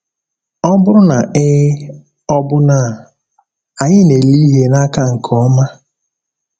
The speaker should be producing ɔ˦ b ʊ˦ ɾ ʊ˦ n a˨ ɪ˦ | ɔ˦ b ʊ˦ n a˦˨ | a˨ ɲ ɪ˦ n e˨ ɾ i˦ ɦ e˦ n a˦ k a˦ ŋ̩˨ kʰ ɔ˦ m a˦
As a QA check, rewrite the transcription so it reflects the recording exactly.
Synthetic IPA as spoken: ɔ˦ b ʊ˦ ɾ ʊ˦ n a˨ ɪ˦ | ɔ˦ b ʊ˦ n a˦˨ | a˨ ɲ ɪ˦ n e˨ l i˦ ɦ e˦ n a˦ k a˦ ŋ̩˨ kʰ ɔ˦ m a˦